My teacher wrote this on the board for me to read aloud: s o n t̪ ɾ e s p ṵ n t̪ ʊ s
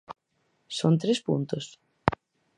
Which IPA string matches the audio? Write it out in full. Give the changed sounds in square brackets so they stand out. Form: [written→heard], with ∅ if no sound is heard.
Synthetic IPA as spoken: s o n t̪ ɾ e s p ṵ n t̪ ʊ s